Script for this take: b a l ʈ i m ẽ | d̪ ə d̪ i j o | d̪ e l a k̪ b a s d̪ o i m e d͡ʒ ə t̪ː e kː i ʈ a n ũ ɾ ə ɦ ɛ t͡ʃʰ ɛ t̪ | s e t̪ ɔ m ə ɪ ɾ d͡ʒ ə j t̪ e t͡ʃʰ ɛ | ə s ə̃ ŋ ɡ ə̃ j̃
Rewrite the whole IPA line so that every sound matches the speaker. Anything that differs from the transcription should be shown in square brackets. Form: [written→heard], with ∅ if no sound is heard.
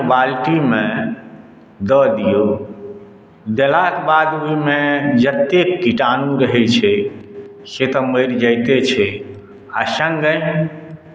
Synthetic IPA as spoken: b a l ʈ i m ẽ | d̪ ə d̪ i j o | d̪ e l a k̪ b a [s→∅] d̪ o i m e d͡ʒ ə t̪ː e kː i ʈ a n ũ ɾ ə ɦ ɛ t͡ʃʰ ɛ [t̪→∅] | s e t̪ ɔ m ə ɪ ɾ d͡ʒ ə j t̪ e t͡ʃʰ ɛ | [ə→a] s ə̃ ŋ ɡ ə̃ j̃